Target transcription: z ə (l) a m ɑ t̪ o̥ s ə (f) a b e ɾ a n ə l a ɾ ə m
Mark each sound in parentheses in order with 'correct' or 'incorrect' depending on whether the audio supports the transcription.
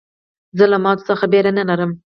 correct, incorrect: x

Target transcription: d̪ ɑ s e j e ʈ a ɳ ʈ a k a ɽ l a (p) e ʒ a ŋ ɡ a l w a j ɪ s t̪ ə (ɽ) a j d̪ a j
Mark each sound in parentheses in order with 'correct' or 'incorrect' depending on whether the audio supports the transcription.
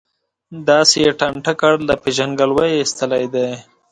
correct, incorrect: l

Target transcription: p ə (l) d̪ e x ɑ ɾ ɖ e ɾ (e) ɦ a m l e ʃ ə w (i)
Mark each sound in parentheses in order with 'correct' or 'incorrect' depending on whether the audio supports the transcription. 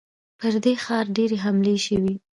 incorrect: ɾ, correct, correct

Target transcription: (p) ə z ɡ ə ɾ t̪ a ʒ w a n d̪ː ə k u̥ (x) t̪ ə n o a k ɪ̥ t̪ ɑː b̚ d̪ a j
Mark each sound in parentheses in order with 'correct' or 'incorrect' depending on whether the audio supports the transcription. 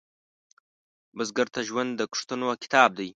incorrect: b, incorrect: ʂ

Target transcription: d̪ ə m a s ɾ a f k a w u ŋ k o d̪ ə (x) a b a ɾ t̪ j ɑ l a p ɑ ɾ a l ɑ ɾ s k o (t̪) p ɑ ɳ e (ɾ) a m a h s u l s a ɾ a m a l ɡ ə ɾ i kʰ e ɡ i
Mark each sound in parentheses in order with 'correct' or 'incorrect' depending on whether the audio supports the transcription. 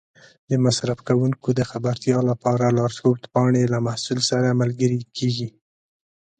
correct, correct, incorrect: l

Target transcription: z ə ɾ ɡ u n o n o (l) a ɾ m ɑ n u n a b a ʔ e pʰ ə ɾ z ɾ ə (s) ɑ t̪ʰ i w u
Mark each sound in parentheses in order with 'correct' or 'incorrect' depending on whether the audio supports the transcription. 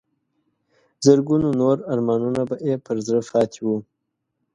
incorrect: ɾ, incorrect: f

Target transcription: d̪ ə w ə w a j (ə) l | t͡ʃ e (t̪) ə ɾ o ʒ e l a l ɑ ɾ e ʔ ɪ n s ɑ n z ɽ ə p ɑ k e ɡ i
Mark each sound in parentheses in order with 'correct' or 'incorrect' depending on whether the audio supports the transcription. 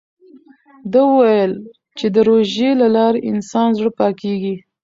correct, incorrect: d̪

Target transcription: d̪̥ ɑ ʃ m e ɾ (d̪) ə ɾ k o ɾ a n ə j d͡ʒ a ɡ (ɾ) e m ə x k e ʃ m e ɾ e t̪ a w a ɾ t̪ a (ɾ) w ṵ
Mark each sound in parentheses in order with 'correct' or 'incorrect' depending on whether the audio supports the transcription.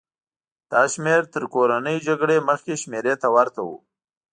incorrect: t̪, incorrect: ɽ, incorrect: none

